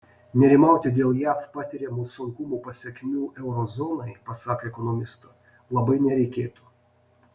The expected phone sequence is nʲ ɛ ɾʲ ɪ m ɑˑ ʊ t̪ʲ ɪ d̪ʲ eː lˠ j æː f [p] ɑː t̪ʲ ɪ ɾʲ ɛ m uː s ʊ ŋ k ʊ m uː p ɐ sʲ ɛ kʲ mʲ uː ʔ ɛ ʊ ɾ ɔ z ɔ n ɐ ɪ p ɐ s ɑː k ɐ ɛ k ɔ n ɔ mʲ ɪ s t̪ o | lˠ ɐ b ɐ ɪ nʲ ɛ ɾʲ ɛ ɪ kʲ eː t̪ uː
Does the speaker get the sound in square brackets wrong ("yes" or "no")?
no